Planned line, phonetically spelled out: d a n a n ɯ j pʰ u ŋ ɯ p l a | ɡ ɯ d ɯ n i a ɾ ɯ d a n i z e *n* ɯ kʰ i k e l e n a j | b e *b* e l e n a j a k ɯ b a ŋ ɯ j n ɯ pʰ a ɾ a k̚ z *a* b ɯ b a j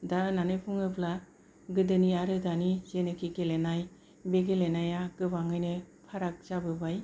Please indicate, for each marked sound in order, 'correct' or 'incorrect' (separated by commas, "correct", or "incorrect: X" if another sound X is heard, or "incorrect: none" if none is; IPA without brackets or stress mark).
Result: correct, incorrect: ɡ, correct